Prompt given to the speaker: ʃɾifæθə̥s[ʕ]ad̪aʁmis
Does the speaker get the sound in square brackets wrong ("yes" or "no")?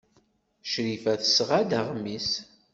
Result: yes